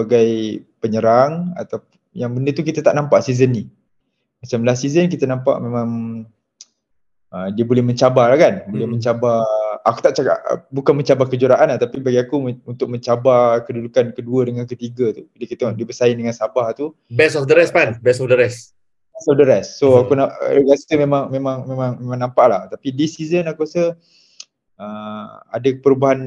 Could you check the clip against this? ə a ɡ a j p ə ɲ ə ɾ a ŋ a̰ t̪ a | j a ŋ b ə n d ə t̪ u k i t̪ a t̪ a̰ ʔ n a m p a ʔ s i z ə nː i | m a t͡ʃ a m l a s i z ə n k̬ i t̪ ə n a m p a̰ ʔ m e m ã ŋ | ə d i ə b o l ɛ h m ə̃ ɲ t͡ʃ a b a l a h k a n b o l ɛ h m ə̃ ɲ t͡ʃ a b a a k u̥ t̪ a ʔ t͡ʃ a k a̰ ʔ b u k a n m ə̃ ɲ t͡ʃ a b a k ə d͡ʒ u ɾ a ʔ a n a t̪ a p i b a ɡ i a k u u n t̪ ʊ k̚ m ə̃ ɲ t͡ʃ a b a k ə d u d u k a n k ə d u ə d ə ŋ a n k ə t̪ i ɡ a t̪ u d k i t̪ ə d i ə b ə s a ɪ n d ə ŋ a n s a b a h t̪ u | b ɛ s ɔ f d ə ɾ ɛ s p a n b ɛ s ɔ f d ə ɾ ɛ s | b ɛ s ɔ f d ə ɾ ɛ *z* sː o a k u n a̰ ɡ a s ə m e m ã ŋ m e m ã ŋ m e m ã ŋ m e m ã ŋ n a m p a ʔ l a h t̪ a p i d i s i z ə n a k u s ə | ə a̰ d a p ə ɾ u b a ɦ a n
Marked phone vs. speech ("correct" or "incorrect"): incorrect